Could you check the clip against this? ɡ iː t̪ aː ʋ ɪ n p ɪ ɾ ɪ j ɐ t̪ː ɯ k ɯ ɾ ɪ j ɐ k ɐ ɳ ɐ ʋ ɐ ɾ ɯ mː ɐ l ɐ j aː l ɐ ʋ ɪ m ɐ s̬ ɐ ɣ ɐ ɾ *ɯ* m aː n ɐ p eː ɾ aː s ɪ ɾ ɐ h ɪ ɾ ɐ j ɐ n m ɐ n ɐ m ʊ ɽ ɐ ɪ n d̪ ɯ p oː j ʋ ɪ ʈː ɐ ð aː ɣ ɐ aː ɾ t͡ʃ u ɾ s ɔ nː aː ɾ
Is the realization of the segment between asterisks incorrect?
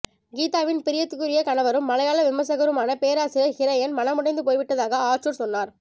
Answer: no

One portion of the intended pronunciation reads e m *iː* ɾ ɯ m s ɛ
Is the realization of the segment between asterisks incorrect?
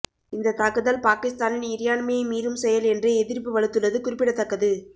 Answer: no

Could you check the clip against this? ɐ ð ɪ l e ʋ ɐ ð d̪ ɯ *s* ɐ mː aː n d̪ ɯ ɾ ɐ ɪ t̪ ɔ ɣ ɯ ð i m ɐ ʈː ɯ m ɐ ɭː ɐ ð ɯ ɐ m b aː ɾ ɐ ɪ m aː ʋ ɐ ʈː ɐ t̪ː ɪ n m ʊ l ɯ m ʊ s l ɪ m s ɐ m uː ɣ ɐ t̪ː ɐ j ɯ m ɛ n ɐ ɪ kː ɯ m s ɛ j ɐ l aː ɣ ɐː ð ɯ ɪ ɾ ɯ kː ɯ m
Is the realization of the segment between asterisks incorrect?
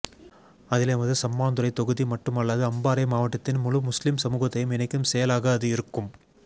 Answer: no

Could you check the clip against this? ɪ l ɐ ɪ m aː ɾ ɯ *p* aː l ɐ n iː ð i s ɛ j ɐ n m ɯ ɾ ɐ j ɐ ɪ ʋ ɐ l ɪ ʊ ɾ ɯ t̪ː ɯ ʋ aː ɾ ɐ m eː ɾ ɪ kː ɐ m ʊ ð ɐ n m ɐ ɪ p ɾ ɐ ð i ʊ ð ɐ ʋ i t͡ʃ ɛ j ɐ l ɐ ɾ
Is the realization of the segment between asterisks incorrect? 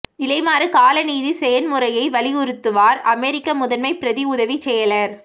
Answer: yes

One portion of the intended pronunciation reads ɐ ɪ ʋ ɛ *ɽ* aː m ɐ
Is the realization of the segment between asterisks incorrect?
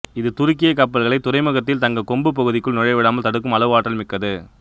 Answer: no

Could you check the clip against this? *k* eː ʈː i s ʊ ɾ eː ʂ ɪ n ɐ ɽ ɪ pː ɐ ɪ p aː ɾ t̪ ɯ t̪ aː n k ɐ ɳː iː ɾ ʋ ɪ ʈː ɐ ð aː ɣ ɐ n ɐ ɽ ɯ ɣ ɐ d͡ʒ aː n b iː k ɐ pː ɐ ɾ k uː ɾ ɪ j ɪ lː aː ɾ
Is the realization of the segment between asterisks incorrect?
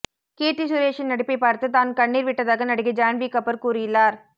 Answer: no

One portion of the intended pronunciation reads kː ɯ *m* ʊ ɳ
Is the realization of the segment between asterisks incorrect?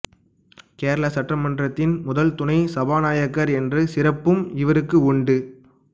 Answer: yes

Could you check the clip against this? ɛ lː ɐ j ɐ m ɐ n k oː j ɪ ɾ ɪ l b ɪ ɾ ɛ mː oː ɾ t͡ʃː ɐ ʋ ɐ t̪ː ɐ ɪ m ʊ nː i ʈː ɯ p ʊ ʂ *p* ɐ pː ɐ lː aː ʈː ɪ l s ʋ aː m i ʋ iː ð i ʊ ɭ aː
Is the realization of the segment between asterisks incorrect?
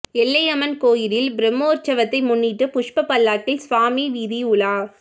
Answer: no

